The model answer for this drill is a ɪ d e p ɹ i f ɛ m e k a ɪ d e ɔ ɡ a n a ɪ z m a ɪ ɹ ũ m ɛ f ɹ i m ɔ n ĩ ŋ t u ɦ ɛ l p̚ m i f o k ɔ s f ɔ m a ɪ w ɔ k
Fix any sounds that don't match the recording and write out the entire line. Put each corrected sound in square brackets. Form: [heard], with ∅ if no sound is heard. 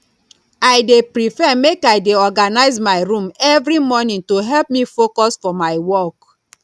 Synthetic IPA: a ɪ d e p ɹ i f ɛ m e k a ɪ d e ɔ ɡ a n a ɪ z m a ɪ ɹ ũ m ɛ [v] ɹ i m ɔ n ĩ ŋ t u ɦ ɛ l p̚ m i f o k ɔ s f ɔ m a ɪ w ɔ k